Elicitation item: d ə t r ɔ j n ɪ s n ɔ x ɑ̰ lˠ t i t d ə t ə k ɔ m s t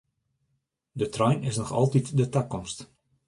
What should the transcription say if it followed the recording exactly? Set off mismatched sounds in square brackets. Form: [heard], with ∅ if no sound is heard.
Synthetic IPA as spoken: d ə t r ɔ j n ɪ s n ɔ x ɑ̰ lˠ t i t d ə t [a] k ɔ m s t